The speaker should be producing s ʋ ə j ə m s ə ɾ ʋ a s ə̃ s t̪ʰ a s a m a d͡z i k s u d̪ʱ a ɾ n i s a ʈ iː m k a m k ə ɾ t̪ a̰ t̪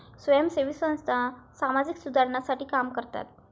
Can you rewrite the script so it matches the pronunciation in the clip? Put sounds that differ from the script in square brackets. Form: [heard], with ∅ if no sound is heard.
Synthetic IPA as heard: s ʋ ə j ə m s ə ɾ ʋ [i] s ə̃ s t̪ʰ a s a m a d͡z i k s u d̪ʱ a ɾ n [a] s a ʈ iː [∅] k a m k ə ɾ t̪ a̰ t̪